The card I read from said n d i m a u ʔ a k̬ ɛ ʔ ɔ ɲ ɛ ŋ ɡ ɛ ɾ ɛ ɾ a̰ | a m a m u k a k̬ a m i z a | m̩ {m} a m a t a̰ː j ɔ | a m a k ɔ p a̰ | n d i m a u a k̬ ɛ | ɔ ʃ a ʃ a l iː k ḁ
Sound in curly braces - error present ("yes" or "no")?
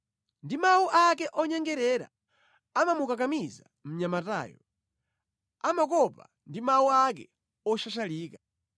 yes